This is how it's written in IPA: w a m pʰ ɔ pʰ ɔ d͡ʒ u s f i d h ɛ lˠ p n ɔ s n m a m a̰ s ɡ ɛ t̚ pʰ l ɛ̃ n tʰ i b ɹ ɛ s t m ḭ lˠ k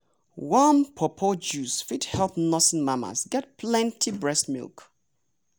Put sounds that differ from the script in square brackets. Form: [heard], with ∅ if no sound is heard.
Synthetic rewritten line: w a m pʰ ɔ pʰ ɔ d͡ʒ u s f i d h ɛ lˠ p n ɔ s n m a m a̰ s ɡ ɛ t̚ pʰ l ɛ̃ n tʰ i b ɹ ɛ s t m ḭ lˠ k